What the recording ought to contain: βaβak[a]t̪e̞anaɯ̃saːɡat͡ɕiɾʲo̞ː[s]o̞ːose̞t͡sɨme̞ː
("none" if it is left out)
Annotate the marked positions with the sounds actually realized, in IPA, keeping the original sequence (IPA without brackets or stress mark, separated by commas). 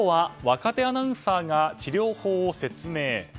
a, h